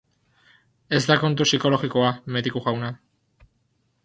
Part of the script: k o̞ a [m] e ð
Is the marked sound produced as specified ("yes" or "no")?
yes